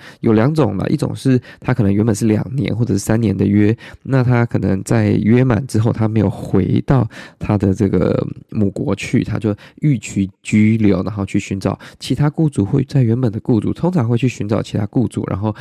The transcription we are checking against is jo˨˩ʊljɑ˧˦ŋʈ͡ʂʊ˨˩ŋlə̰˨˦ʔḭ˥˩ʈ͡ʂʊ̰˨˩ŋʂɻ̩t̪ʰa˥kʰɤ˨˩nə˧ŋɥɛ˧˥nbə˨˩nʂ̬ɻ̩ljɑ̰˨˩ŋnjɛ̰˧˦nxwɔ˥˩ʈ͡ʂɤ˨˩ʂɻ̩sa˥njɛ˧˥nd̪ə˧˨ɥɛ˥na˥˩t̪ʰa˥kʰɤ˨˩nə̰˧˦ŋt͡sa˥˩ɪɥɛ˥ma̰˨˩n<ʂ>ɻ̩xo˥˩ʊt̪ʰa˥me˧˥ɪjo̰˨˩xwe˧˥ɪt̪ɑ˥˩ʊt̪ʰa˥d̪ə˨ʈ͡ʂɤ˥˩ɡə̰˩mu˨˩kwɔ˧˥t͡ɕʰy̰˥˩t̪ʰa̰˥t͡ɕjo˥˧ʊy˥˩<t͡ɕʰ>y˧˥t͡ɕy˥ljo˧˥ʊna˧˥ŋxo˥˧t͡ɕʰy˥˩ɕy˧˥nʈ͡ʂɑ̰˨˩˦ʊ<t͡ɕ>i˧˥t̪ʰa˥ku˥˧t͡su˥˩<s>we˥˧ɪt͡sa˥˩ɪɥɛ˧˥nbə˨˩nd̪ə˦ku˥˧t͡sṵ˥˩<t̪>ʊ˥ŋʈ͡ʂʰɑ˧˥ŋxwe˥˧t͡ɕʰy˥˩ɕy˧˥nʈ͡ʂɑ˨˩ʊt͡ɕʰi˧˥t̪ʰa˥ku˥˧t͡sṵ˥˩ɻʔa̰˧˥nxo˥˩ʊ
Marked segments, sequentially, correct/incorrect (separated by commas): incorrect, correct, incorrect, incorrect, incorrect